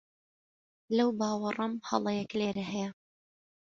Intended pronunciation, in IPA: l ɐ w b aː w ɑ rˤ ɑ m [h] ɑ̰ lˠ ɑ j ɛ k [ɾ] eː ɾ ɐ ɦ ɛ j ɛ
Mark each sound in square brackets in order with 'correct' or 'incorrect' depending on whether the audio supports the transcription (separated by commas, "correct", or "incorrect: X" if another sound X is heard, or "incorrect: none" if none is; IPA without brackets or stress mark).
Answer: correct, incorrect: l